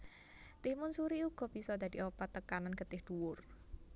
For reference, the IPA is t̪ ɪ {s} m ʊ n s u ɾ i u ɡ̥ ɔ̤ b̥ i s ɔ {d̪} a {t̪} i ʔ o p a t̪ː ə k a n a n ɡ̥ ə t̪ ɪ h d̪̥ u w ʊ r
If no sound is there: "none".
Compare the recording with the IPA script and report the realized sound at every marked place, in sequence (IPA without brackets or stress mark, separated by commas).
h, d̪, d̪